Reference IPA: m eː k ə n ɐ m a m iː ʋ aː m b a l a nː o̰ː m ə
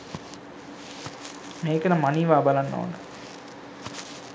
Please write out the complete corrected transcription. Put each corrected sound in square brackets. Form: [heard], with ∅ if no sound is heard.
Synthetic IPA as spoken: m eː k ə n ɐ m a [n] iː ʋ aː [∅] b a l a nː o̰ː [n] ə